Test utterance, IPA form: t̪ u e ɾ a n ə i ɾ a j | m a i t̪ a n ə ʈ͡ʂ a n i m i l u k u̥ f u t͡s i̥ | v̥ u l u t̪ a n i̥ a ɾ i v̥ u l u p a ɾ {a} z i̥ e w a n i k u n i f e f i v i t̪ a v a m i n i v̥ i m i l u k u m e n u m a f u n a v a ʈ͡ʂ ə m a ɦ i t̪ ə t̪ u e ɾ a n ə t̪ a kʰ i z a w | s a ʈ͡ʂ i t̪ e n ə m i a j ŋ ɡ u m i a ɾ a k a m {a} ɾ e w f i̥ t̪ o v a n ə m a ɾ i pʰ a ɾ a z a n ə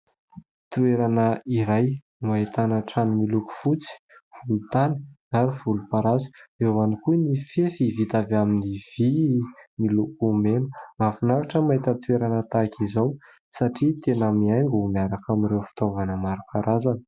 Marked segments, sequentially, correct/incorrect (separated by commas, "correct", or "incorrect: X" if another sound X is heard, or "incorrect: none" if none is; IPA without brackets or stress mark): correct, incorrect: i